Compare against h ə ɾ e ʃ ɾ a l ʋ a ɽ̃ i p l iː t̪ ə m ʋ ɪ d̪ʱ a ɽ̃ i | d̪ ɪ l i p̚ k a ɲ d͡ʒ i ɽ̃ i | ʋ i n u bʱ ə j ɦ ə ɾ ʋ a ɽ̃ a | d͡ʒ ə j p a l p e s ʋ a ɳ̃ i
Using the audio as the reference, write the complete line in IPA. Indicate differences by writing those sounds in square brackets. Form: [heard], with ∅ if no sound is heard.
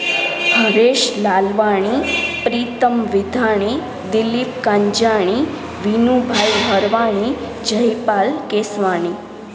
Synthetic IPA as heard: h ə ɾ e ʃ [l] a l ʋ a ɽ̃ i p [ɾ] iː t̪ ə m ʋ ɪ d̪ʱ a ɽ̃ i | d̪ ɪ l i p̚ k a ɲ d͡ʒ [a] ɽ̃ i | ʋ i n u bʱ [a] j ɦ ə ɾ ʋ a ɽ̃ [i] | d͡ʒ ə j p a l [k] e s ʋ a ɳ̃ i